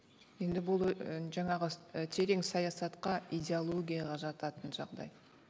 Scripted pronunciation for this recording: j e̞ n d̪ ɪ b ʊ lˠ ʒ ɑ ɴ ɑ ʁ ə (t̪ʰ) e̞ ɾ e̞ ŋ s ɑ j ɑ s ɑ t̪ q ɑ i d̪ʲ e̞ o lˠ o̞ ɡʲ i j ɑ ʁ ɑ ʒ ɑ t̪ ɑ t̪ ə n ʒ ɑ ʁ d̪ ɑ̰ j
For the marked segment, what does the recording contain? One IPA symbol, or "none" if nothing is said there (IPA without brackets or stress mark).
t̪ʰ